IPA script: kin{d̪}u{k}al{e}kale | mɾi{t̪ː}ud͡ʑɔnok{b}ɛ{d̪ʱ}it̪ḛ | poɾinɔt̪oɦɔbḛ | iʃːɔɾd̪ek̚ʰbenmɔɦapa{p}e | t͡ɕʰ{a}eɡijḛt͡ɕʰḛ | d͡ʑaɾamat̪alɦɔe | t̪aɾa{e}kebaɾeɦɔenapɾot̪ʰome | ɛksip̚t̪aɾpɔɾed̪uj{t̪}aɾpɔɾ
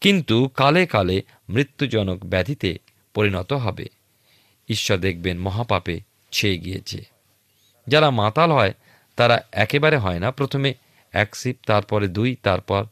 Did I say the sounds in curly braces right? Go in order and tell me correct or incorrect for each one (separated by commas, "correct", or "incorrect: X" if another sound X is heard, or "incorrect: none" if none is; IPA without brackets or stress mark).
incorrect: t̪, correct, correct, correct, correct, correct, correct, incorrect: e, incorrect: ɛ, correct